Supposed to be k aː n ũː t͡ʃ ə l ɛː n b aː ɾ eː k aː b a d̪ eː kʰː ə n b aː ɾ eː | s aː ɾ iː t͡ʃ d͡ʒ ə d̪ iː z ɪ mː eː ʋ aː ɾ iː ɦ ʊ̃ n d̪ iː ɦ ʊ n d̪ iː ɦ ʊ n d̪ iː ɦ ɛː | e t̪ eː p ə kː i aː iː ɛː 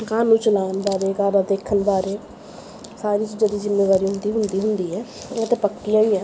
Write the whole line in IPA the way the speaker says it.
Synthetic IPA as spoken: k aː n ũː t͡ʃ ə l aː n b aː ɾ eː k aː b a d̪ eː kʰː ə n b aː ɾ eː | s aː ɾ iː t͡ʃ d͡ʒ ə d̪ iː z ɪ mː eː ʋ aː ɾ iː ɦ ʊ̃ n d̪ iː ɦ ʊ n d̪ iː ɦ ʊ n d̪ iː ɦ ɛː | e t̪ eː p ə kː i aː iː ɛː